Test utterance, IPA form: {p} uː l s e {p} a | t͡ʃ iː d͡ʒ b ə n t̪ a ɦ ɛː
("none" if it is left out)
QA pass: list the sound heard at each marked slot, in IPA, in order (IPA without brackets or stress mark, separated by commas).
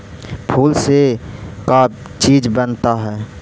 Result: pʰ, k